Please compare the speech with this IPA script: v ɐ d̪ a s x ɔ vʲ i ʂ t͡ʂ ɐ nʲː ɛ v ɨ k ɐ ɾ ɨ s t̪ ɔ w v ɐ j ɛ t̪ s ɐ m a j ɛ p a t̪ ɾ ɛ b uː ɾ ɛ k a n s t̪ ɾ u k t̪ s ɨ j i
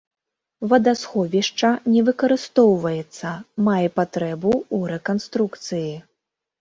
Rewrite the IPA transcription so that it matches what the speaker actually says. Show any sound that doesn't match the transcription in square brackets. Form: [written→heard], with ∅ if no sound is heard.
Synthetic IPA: v ɐ d̪ a s x ɔ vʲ i ʂ t͡ʂ ɐ [nʲː→nʲ] ɛ v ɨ k ɐ ɾ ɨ s t̪ ɔ w v ɐ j ɛ t̪ [s→sː] ɐ m a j ɛ p a t̪ ɾ ɛ b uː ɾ ɛ k a n s t̪ ɾ u k t̪ s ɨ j i